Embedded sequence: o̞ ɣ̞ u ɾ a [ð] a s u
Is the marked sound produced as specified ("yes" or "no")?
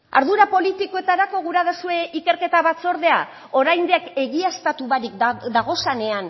yes